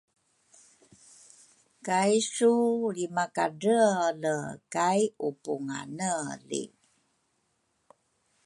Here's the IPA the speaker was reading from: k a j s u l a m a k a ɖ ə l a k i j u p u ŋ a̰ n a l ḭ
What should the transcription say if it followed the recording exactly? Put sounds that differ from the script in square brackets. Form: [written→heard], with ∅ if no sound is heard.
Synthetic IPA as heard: k a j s u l [a→i] m a k a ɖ ə l [a→ə] k [i→a] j u p u ŋ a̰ n [a→ə] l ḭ

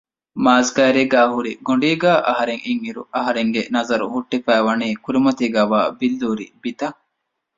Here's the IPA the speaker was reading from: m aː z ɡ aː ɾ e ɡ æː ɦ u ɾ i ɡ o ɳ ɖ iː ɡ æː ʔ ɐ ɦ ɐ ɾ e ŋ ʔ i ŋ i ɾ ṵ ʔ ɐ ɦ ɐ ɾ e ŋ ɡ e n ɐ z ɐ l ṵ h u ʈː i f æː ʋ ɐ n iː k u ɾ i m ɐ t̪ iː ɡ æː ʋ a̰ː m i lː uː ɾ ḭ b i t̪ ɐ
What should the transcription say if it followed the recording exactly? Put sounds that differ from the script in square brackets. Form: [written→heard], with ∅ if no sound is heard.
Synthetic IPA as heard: m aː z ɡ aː ɾ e ɡ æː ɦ u ɾ i ɡ o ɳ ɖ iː ɡ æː ʔ ɐ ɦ ɐ ɾ e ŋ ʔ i ŋ i ɾ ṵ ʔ ɐ ɦ ɐ ɾ e ŋ ɡ e n ɐ z ɐ [l→ɾ] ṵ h u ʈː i f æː ʋ ɐ n iː k u ɾ i m ɐ t̪ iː ɡ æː ʋ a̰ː [m→b] i lː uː ɾ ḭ b i t̪ ɐ

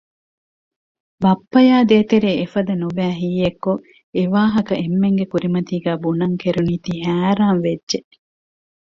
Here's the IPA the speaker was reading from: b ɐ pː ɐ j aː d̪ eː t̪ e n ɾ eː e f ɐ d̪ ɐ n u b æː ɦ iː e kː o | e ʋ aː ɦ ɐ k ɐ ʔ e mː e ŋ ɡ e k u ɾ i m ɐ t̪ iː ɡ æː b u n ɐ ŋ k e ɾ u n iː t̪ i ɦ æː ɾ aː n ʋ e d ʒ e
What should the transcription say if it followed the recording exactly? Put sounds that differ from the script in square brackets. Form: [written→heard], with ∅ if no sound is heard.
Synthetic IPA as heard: b ɐ pː ɐ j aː d̪ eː t̪ e [n→∅] ɾ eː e f ɐ d̪ ɐ n u b æː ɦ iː e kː o | e ʋ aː ɦ ɐ k ɐ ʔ e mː e ŋ ɡ e k u ɾ i m ɐ t̪ iː ɡ æː b u n ɐ ŋ k e ɾ u n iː t̪ i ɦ æː ɾ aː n ʋ e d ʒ e

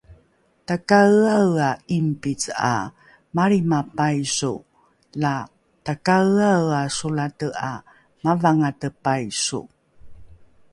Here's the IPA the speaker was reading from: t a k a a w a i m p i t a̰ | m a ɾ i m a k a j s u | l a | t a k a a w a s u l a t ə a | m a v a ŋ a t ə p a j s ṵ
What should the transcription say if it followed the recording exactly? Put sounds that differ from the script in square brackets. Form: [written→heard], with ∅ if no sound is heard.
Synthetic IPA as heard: t a k a a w a i m p i [t→t͡s] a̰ | m a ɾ i m a [k→p] a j s u | l a | t a k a a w a s u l a t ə a | m a v a ŋ a t ə p a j s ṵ

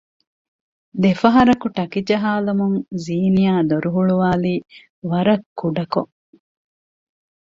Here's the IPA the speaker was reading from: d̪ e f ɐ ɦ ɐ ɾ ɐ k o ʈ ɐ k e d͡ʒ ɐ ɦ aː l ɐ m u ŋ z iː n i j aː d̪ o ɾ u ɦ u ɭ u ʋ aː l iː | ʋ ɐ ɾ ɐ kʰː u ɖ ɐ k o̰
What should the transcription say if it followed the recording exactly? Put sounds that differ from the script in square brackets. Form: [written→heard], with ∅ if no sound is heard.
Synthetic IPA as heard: d̪ e f ɐ ɦ ɐ ɾ ɐ k [o→u] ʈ ɐ k [e→i] d͡ʒ ɐ ɦ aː l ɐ m u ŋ z iː n i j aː d̪ o ɾ u ɦ u ɭ u ʋ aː l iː | ʋ ɐ ɾ ɐ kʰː u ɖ ɐ k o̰

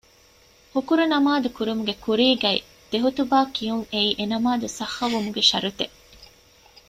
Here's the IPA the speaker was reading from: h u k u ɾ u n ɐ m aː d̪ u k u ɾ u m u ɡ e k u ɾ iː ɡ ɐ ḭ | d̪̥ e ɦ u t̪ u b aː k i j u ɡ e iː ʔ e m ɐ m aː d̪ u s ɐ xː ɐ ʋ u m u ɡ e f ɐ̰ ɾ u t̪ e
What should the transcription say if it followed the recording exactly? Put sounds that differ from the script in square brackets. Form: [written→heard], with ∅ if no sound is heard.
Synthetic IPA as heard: h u k u ɾ u n ɐ m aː d̪ u k u ɾ u m u ɡ e k u ɾ iː ɡ ɐ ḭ | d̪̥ e ɦ u t̪ u b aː k i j u [ɡ→ŋ] e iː ʔ e [m→n] ɐ m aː d̪ u s ɐ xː ɐ ʋ u m u ɡ e [f→ʃ] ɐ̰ ɾ u t̪ e

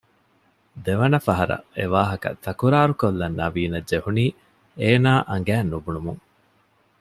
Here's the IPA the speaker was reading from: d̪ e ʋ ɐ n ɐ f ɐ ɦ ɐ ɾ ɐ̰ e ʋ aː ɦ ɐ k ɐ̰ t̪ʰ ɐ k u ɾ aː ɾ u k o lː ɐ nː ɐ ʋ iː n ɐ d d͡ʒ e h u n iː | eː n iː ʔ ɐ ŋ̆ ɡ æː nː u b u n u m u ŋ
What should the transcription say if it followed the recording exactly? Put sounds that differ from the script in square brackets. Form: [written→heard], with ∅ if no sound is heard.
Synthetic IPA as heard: d̪ e ʋ ɐ n ɐ f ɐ ɦ ɐ ɾ ɐ̰ e ʋ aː ɦ ɐ k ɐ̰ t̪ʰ ɐ k u ɾ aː ɾ u k o lː ɐ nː ɐ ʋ iː n ɐ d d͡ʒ e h u n iː | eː n [iː→aː] ʔ ɐ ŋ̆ ɡ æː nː u b u n u m u ŋ

